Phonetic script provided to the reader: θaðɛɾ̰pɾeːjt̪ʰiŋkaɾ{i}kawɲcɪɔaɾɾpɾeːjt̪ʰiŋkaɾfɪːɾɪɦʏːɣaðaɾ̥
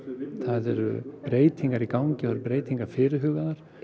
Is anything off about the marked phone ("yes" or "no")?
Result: no